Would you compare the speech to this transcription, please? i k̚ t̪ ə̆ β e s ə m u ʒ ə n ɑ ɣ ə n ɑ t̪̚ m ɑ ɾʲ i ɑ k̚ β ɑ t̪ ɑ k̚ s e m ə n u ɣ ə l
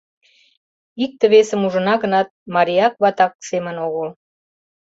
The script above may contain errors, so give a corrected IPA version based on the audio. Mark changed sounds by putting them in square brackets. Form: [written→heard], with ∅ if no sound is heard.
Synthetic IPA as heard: i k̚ t̪ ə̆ β e s ə m u ʒ ə n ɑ ɣ ə n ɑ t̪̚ m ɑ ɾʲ i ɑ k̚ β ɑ t̪ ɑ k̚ s e m ə n [u→o] ɣ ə l